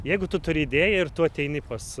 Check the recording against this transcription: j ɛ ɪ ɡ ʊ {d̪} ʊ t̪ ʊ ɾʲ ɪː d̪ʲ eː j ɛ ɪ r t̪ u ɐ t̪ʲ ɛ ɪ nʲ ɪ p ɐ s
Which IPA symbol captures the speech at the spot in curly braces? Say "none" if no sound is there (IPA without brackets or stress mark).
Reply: t̪